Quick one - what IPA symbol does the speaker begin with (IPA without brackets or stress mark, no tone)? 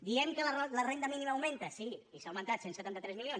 d̪